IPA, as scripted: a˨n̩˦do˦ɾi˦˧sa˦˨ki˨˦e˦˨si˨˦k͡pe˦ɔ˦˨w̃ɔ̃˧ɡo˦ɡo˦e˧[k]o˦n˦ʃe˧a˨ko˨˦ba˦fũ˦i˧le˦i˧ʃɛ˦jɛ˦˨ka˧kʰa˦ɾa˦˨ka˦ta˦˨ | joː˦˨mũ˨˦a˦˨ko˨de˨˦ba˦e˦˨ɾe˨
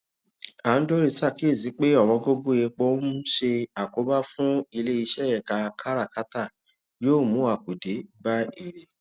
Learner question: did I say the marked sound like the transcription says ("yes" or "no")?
no